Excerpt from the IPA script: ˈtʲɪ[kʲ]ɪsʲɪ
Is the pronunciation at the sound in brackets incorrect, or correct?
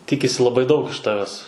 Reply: correct